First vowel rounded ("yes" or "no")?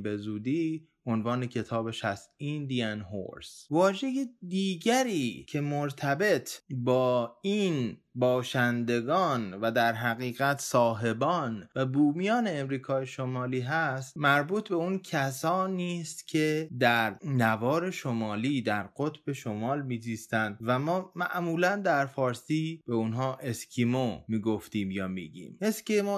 no